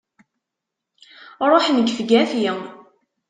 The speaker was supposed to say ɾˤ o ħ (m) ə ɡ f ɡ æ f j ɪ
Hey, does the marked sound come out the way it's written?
no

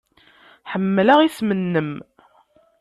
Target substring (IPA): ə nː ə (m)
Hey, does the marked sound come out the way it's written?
yes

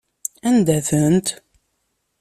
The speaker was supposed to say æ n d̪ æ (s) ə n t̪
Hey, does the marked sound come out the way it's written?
no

